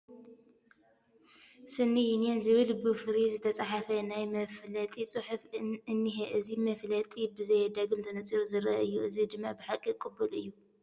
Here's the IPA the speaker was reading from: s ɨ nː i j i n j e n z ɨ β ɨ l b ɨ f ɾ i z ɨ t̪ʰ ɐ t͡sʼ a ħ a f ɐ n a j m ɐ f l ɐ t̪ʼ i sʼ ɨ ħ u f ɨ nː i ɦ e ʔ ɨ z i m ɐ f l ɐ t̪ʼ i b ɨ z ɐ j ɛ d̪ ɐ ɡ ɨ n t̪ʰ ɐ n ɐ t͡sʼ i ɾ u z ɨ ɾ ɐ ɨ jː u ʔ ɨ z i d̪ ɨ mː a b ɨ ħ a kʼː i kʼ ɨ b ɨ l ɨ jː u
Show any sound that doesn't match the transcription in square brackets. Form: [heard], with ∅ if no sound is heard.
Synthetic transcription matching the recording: s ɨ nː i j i n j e n z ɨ β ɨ l b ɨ f ɾ i z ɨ t̪ʰ ɐ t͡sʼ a ħ a f ɐ n a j m ɐ f l ɐ t̪ʼ i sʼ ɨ ħ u f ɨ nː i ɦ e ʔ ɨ z i m ɐ f l ɐ t̪ʼ i b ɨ z ɐ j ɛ d̪ ɐ ɡ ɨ [m] t̪ʰ ɐ n ɐ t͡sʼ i ɾ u z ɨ ɾ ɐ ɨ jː u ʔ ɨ z i d̪ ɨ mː a b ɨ ħ a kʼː i kʼ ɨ b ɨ l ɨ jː u